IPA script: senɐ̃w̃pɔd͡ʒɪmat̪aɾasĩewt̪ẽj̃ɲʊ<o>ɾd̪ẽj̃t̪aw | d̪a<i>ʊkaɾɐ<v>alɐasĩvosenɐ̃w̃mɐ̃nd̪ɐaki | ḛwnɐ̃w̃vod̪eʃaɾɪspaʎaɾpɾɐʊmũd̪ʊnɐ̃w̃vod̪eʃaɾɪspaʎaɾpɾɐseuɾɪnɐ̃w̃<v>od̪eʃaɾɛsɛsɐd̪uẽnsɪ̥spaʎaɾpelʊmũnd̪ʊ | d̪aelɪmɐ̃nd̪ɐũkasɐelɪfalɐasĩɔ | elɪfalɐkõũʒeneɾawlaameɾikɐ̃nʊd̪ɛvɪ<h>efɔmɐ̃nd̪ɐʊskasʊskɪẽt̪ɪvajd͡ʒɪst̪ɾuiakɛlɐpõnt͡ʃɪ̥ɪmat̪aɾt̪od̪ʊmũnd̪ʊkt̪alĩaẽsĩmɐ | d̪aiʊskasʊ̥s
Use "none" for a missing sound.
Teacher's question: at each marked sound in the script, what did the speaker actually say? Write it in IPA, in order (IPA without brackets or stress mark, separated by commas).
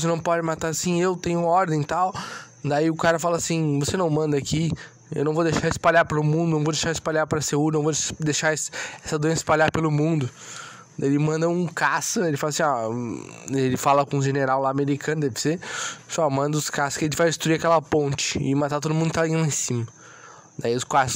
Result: ɔ, i, f, v, s